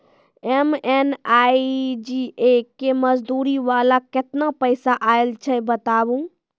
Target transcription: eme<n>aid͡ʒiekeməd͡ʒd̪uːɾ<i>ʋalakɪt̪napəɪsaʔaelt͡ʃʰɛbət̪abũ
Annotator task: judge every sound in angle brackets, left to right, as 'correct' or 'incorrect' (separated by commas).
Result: correct, correct